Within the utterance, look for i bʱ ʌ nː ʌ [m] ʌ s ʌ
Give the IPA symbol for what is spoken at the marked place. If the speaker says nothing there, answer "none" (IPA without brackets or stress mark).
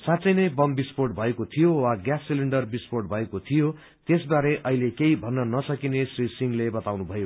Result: n